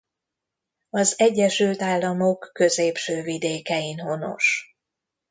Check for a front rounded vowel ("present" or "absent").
present